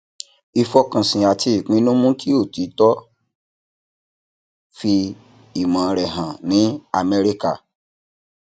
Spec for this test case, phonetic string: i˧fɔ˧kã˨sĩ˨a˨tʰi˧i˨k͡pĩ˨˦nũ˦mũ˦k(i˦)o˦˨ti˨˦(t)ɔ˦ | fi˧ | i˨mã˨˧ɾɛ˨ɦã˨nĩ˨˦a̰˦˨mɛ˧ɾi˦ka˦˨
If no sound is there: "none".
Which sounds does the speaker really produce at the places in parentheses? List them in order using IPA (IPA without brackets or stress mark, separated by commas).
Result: i˦, t